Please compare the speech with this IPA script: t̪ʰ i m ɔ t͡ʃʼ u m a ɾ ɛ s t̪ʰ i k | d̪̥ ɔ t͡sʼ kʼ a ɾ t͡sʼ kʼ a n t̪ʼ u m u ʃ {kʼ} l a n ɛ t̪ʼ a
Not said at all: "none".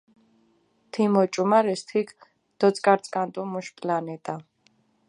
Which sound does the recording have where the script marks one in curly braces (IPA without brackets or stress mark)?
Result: pʼ